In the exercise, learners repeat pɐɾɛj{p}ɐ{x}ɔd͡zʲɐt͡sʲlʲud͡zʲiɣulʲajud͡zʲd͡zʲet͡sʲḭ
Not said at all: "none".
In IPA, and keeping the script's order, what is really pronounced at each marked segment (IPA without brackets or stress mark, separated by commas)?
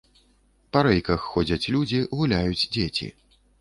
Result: k, xː